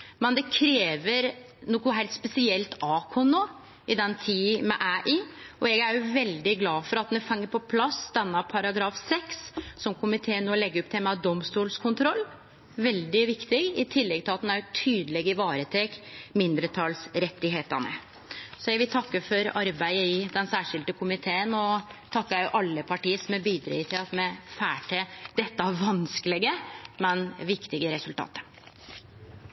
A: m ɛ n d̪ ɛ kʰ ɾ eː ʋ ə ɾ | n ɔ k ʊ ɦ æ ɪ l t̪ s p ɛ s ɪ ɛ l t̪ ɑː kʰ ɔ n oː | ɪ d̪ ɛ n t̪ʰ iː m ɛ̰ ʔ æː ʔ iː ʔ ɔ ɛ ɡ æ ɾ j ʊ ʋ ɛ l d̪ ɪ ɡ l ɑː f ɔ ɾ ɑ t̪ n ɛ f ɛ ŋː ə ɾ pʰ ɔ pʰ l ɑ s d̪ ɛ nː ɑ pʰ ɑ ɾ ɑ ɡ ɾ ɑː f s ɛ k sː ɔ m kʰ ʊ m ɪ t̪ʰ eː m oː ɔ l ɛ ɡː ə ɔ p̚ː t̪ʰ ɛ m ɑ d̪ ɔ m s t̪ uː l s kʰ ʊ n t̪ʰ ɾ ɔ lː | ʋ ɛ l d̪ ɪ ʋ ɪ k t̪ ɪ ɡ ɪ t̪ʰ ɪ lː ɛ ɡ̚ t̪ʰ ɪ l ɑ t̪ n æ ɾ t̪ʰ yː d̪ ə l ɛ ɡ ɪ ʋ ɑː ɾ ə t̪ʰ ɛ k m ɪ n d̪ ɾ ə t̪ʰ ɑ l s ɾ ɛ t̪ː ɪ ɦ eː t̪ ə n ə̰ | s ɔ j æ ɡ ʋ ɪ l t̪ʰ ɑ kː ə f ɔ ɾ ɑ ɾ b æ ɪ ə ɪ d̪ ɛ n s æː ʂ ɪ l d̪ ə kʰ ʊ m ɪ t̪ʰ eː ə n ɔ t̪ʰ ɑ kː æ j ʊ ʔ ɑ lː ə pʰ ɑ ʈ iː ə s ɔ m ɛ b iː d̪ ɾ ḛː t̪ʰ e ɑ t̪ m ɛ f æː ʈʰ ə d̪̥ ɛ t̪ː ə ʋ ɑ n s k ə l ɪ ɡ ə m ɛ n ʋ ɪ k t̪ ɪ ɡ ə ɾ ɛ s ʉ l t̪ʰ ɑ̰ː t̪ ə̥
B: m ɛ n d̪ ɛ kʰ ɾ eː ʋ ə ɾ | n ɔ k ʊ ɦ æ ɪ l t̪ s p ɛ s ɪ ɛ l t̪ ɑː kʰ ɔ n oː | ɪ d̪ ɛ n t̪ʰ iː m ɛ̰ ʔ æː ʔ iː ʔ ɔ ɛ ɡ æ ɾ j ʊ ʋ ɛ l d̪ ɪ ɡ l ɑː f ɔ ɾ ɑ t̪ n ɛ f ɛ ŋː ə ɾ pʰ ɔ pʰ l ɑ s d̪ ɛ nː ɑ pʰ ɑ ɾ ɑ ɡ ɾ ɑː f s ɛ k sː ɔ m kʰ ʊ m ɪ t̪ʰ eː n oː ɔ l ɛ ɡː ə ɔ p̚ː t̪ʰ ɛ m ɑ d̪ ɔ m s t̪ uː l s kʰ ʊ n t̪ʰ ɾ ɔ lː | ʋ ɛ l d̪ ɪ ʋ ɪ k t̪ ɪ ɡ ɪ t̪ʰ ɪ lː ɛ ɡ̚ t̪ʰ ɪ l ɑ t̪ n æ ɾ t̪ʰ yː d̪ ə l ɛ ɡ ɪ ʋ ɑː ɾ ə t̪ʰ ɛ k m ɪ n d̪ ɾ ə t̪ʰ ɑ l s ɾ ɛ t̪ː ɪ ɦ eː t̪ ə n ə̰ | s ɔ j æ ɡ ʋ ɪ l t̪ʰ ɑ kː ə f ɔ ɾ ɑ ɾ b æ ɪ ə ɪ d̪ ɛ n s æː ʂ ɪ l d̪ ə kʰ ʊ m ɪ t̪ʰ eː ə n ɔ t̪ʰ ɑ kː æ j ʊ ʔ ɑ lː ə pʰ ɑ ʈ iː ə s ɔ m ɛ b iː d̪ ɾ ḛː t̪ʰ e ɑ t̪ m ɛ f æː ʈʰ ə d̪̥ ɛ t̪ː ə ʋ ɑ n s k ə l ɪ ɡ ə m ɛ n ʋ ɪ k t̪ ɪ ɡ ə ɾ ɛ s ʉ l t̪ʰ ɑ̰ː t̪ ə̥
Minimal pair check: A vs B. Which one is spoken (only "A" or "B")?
B